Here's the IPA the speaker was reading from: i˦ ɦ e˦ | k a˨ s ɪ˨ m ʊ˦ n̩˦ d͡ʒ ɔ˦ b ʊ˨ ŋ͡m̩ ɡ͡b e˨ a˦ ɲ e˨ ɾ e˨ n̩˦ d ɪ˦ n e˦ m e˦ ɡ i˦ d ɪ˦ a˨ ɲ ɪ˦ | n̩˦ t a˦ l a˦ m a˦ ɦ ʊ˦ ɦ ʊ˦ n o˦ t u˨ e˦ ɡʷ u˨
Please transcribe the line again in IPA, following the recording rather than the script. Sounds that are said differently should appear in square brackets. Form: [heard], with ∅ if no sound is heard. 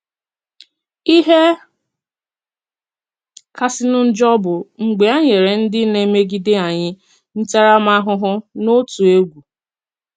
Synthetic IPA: i˦ ɦ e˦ | k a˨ s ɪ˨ [n] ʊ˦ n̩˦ d͡ʒ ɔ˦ b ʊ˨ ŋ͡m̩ ɡ͡b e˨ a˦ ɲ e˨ ɾ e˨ n̩˦ d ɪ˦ n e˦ m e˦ ɡ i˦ d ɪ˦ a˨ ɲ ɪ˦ | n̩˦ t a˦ [ɾ] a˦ m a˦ ɦ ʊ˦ ɦ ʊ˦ n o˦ t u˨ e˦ ɡʷ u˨